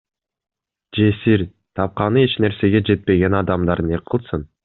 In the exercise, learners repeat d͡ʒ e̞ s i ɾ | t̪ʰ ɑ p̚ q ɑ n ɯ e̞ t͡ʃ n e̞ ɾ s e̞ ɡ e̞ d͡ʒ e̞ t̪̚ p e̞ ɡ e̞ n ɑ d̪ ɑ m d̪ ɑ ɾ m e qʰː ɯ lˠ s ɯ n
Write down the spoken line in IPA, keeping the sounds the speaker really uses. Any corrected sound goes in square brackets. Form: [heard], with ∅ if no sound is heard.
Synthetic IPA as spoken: d͡ʒ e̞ s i ɾ | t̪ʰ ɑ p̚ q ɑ n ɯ e̞ t͡ʃ n e̞ ɾ s e̞ ɡ e̞ d͡ʒ e̞ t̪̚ p e̞ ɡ e̞ n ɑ d̪ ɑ m d̪ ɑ ɾ [n] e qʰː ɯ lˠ s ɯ n